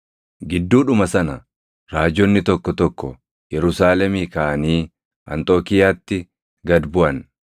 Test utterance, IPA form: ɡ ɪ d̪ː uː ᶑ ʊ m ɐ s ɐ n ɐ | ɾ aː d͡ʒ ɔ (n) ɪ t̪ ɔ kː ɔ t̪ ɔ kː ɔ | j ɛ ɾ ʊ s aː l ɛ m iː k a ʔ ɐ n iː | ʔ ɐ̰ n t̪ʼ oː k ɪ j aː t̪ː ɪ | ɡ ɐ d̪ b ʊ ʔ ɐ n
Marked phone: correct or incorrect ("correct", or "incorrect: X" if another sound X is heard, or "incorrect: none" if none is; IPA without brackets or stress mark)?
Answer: incorrect: nː